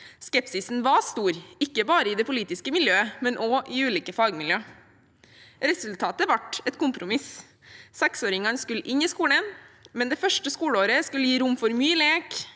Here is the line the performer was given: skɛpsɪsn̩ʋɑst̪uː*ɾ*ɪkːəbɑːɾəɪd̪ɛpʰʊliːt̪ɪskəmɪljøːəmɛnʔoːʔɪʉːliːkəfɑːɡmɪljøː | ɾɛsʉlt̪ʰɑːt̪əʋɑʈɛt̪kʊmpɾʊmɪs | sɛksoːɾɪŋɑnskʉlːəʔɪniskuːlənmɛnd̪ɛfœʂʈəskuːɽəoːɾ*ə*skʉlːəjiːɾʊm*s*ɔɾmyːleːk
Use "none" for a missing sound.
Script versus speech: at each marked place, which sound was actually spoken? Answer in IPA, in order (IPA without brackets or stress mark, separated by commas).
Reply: ɾ, ə, f